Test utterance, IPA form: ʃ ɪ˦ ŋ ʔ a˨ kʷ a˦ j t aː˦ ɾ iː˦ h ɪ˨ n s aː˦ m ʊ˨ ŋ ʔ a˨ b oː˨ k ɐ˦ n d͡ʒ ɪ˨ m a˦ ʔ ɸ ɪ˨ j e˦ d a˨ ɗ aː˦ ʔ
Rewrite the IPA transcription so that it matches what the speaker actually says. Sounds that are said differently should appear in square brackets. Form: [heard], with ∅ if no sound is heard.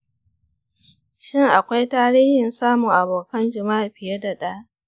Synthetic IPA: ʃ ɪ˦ ŋ ʔ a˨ kʷ a˦ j t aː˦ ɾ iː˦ h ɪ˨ n s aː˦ m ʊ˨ ŋ ʔ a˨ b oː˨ k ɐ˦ n d͡ʒ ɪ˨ m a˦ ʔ ɸ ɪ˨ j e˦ d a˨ ɗ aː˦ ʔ